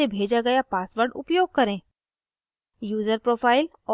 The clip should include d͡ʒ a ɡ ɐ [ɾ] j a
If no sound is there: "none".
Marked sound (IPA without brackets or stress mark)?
none